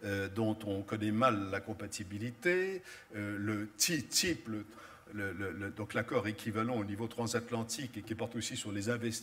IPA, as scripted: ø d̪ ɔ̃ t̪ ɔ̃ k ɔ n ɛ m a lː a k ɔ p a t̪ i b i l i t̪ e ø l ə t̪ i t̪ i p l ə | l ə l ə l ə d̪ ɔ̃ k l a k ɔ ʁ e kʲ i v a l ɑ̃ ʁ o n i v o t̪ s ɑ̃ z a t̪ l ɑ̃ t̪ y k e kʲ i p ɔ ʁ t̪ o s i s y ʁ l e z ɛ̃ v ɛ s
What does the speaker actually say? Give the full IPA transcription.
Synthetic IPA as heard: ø d̪ ɔ̃ t̪ ɔ̃ k ɔ n ɛ m a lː a k ɔ̃ p a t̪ i b i l i t̪ e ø l ə t̪ i t̪ i p l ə | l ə l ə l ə d̪ ɔ̃ k l a k ɔ ʁ e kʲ i v a l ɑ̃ o n i v o t̪ χ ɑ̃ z a t̪ l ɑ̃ t̪ i k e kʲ i p ɔ ʁ t̪ o s i s y ʁ l e z ɛ̃ v ɛ s